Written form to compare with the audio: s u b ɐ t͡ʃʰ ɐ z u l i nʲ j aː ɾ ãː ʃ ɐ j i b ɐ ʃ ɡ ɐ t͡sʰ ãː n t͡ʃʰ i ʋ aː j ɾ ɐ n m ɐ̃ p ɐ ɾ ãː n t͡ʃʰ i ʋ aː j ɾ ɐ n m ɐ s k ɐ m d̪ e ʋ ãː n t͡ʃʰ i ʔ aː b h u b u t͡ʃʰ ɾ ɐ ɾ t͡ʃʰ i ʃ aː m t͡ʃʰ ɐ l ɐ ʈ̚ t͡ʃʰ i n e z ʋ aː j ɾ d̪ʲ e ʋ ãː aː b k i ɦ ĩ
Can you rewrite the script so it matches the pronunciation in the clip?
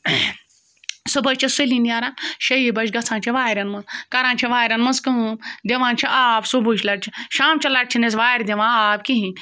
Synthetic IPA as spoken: s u b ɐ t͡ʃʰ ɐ s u l i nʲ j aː ɾ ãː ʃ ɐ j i b ɐ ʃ ɡ ɐ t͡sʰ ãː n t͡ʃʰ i ʋ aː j ɾ ɐ n m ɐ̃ k ɐ ɾ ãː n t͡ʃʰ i ʋ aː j ɾ ɐ n m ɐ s k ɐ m d̪ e ʋ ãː n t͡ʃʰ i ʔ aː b s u b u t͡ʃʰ l ɐ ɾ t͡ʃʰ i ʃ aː m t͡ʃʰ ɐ l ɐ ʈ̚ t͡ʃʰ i n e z ʋ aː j ɾ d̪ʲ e ʋ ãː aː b k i ɦ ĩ